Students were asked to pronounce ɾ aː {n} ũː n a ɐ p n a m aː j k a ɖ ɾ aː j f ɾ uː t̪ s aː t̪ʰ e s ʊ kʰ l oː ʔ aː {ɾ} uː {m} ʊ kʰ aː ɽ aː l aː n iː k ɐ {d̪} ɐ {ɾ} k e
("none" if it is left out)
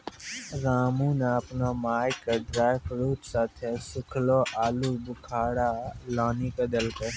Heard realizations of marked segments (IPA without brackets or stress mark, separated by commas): m, l, b, d̪, l